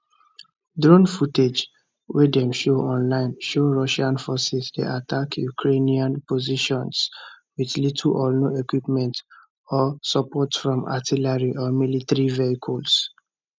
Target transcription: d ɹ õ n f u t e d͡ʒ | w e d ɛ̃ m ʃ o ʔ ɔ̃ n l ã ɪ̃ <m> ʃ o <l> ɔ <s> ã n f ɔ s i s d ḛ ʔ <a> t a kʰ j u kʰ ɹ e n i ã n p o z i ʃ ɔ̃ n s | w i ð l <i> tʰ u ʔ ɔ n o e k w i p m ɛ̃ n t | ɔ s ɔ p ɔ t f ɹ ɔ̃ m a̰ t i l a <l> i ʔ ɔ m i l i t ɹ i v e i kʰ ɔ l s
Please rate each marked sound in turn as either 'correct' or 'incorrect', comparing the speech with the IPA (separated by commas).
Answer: incorrect, incorrect, incorrect, correct, correct, incorrect